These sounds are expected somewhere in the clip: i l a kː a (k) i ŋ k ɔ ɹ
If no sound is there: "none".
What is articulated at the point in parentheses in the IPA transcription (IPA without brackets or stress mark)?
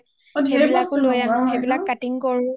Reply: t